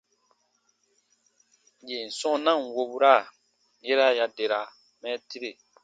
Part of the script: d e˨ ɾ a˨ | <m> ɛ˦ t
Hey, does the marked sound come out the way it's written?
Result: yes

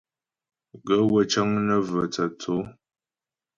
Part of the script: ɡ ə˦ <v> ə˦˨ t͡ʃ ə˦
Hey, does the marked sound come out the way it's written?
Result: no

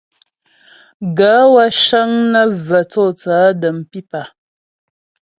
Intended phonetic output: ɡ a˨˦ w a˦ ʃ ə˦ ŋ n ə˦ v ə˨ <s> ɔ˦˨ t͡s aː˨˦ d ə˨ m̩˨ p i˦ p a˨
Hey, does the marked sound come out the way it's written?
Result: no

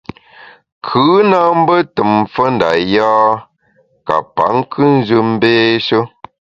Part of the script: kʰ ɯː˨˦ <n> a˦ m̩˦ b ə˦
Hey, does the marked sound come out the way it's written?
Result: yes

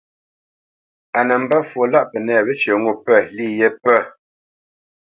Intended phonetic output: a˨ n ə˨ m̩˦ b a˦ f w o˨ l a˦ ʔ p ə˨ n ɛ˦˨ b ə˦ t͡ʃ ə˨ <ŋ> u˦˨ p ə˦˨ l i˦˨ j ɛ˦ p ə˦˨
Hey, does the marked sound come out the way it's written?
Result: yes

